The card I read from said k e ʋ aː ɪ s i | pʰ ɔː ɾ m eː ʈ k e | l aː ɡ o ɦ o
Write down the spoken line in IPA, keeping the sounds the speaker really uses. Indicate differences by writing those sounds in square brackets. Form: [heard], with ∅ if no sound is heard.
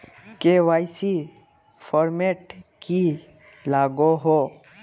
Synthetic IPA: k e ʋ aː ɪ s i | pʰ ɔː ɾ m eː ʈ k [i] | l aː ɡ o ɦ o